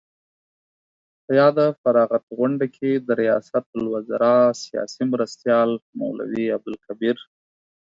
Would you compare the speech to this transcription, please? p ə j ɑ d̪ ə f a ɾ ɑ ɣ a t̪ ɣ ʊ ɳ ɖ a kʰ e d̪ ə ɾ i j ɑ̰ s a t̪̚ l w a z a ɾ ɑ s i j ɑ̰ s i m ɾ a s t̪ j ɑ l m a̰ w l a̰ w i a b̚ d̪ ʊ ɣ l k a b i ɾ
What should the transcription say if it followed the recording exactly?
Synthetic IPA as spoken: p ə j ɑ d̪ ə f a ɾ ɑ ɣ a t̪ ɣ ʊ ɳ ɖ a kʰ e d̪ ə ɾ i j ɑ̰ s a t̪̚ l w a z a ɾ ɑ s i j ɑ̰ s i m ɾ a s t̪ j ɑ l m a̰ w l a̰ w i a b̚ d̪ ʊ l k a b i ɾ